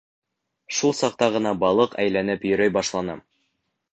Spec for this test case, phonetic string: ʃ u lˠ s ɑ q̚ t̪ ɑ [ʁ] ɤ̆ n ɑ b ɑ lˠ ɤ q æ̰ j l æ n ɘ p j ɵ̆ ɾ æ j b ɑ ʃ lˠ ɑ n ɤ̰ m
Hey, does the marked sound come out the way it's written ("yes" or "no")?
yes